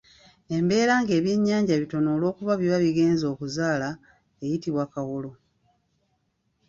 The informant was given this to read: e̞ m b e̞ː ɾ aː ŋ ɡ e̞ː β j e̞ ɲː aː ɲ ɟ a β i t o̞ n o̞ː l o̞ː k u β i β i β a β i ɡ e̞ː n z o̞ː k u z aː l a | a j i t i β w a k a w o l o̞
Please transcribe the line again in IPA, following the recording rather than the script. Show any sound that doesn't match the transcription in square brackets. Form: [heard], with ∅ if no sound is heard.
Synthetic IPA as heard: e̞ m b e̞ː ɾ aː ŋ ɡ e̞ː β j e̞ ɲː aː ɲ ɟ a β i t o̞ n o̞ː l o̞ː k u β [a] β i β a β i ɡ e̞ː n z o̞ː k u z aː l a | [e] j i t i β w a k a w o l o̞